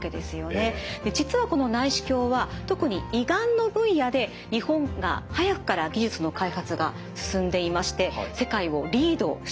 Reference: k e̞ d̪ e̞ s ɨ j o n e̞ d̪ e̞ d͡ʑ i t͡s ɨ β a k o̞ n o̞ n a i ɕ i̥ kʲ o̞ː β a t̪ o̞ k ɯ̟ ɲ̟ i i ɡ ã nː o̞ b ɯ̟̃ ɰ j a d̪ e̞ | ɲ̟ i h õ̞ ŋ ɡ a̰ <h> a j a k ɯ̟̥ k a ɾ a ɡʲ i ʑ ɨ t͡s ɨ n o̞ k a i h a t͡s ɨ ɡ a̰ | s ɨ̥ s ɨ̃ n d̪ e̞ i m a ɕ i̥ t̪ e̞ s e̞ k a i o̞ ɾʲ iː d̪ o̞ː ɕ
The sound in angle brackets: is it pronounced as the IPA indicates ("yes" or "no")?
yes